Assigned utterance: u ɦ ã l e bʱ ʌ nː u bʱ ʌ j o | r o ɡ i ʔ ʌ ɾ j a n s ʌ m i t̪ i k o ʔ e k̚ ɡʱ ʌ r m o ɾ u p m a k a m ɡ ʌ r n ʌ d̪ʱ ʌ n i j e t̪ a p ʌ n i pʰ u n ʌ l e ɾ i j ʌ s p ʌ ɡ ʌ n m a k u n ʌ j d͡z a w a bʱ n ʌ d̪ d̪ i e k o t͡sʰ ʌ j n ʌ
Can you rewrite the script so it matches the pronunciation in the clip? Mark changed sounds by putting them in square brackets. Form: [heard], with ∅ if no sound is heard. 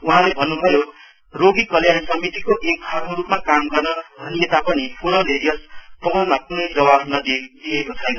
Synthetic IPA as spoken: u ɦ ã l e bʱ ʌ nː u bʱ ʌ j o | r o ɡ i [k] ʌ [l] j a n s ʌ m i t̪ i k o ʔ e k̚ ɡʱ ʌ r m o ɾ u p m a k a m ɡ ʌ r n ʌ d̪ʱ ʌ n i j e t̪ a p ʌ n i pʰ u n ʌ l e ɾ i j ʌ s p ʌ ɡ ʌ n m a k u n ʌ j d͡z [ʌ] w a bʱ n ʌ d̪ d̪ i e k o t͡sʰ ʌ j n ʌ